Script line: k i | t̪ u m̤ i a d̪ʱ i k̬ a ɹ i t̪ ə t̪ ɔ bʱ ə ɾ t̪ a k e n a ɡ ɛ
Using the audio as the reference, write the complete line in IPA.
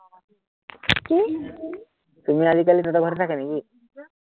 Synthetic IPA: k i | t̪ u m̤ i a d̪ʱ i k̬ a l i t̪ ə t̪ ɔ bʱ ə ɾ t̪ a k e n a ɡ i